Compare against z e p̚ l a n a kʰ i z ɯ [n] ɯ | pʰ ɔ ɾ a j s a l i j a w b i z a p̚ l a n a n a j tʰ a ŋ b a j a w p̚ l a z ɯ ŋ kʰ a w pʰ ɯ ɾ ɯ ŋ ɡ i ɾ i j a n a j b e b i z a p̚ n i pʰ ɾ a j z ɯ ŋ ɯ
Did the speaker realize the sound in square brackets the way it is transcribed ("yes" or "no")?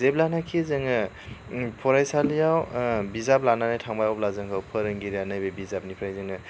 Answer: no